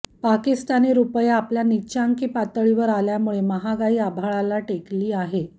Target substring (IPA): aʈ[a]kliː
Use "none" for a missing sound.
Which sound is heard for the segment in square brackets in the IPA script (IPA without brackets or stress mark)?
e